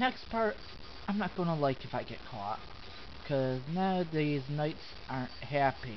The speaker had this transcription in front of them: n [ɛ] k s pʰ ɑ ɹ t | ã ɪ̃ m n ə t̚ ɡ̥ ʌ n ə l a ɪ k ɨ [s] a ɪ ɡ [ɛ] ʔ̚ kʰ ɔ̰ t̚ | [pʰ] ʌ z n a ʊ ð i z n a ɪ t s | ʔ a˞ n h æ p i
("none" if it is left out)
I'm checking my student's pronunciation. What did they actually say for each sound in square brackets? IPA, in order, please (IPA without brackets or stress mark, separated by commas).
ɛ, f, ɛ, kʰ